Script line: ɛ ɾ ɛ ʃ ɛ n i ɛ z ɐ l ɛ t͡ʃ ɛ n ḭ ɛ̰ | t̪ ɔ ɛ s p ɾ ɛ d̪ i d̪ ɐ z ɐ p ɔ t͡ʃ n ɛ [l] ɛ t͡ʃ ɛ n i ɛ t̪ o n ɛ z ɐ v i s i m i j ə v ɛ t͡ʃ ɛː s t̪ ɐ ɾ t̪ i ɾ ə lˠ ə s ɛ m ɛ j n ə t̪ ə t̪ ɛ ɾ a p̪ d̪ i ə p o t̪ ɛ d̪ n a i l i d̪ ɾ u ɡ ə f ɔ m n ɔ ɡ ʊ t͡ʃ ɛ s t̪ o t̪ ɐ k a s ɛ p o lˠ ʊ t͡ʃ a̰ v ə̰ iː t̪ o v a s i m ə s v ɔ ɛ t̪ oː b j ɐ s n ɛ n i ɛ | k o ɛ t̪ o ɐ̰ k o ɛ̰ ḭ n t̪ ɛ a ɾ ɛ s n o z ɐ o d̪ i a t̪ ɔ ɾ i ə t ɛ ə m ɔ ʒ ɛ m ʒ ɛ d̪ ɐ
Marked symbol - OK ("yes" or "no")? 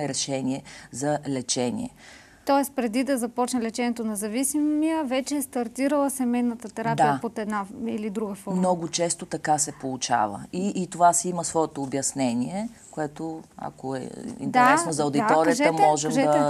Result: yes